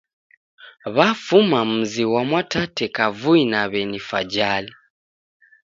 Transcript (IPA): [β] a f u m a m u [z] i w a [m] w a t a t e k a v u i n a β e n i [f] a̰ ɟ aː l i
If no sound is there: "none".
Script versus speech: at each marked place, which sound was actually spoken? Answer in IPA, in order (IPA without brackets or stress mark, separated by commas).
β, z, m, f